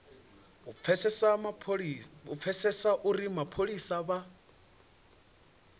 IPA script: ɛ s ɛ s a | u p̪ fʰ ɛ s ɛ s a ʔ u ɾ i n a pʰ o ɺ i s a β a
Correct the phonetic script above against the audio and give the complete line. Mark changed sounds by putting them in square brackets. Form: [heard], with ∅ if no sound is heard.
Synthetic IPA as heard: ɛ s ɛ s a | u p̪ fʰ ɛ s ɛ s a ʔ u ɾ i [m] a pʰ o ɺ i s a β a